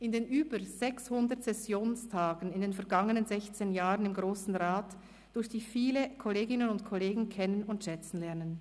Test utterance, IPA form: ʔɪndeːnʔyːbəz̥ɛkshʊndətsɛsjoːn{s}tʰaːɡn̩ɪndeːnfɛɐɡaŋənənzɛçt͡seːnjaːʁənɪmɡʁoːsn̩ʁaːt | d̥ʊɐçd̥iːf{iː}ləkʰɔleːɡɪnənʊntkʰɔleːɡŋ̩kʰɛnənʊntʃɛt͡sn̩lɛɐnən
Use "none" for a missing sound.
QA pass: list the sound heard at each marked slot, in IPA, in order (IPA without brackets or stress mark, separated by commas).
s, iː